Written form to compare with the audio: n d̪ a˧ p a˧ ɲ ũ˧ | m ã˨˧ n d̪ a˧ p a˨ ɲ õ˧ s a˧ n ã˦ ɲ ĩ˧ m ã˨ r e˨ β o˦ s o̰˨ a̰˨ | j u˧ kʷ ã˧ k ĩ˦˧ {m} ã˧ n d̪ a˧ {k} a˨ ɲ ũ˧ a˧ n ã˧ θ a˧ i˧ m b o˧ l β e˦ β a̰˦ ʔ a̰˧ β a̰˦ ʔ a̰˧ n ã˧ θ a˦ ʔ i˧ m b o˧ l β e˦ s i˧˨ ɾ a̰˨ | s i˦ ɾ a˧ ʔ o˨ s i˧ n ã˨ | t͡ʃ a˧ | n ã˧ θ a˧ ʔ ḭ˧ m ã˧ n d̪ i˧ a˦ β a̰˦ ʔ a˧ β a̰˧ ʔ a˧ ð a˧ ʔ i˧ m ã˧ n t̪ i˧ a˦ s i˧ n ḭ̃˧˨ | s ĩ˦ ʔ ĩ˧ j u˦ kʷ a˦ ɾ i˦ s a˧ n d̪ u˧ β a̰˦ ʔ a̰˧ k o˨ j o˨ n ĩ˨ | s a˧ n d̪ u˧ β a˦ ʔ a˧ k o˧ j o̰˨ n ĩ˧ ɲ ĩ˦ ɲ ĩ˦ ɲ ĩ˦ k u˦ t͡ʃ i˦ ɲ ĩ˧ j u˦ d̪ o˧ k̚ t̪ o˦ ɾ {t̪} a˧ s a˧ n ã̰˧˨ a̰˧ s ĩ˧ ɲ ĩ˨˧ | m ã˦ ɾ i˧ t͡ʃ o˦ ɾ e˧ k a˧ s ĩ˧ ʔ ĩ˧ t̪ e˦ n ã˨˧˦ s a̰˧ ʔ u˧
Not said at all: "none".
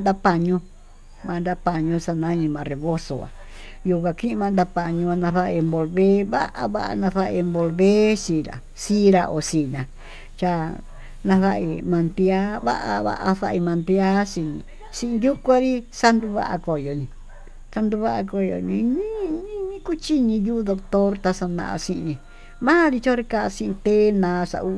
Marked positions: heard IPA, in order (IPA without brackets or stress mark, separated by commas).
m, p, t̪